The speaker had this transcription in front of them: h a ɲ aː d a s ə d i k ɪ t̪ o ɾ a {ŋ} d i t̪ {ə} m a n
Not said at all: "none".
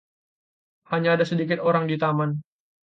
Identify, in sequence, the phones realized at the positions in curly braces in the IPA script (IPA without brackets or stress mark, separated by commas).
ŋ, a